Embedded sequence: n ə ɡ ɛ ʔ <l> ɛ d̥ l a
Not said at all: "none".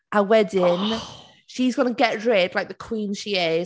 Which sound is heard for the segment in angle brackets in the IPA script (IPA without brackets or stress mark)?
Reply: ɹ